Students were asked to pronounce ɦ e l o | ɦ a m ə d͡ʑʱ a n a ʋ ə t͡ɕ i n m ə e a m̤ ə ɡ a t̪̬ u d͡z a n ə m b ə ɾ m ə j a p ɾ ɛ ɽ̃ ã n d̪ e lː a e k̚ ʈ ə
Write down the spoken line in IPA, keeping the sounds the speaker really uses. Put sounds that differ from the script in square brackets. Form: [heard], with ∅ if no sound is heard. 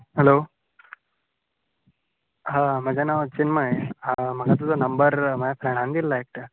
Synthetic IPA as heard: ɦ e l o | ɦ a m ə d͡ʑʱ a n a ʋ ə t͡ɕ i n m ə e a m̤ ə ɡ a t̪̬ u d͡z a n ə m b ə ɾ m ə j a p ɾ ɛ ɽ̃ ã n d̪ [i] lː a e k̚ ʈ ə